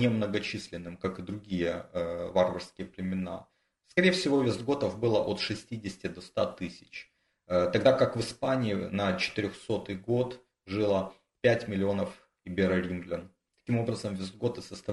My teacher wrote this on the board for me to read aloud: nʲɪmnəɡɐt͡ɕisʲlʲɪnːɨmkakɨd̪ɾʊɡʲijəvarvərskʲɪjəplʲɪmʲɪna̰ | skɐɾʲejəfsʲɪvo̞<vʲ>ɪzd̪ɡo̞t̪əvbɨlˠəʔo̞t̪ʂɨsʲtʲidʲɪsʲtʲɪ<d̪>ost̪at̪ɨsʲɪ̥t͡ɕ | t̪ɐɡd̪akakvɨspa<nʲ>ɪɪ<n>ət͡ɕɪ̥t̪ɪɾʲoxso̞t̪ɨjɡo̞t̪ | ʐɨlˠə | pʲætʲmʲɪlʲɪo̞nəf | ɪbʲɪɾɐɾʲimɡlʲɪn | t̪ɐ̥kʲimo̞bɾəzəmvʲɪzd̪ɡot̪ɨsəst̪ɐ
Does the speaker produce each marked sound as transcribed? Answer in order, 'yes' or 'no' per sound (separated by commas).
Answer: yes, yes, yes, yes